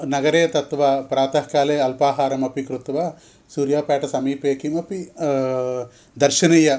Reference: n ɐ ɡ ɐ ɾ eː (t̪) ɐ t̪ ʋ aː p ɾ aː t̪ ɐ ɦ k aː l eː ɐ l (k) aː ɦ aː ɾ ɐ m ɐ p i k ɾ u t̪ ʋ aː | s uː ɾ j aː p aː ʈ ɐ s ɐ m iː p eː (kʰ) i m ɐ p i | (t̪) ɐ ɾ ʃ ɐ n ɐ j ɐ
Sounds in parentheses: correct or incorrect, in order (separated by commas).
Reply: correct, incorrect, incorrect, incorrect